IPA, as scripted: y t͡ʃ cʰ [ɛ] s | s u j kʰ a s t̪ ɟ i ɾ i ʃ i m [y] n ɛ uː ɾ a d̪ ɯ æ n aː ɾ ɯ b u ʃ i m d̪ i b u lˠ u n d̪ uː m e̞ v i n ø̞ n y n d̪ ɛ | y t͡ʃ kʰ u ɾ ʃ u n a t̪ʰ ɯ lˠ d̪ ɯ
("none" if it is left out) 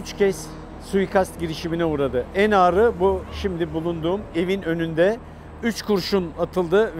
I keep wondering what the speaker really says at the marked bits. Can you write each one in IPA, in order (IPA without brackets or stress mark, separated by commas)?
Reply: ɛ, i